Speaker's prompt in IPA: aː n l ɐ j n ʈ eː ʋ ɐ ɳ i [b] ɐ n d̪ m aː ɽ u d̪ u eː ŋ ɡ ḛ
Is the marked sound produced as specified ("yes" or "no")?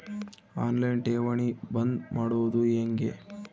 yes